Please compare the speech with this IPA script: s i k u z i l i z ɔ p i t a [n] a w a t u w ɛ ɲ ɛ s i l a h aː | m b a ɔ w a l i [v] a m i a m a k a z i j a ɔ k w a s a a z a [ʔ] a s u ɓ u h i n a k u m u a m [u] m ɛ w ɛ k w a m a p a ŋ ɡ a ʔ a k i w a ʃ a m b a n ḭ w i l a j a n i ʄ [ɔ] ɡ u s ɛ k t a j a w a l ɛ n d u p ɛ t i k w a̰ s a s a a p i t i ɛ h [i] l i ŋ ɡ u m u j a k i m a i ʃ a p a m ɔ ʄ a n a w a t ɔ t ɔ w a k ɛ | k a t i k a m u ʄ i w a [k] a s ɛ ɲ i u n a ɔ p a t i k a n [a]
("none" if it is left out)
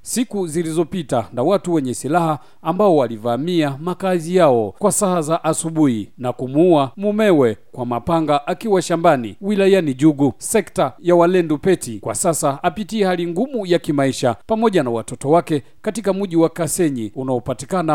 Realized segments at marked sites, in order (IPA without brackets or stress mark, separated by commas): n, v, ʔ, u, u, a, k, a